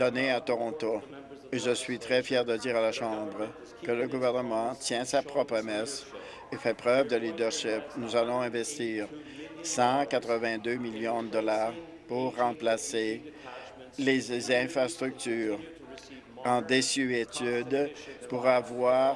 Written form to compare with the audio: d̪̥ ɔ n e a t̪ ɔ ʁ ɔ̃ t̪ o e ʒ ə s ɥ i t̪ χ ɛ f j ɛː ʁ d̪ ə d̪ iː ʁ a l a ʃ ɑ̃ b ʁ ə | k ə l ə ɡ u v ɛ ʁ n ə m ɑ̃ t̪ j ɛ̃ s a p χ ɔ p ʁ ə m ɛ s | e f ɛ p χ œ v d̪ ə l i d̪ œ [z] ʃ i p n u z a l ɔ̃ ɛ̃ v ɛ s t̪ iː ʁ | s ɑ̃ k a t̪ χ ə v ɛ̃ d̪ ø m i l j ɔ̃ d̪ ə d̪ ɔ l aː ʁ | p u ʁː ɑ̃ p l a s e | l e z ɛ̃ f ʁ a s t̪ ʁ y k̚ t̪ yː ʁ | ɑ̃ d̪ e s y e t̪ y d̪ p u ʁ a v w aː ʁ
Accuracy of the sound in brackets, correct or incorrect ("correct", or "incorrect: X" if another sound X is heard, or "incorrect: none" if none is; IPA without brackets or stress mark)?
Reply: incorrect: ʁ